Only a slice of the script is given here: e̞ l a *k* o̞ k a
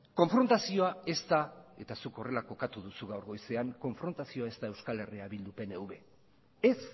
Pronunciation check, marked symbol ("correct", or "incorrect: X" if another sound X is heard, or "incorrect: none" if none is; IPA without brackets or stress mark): correct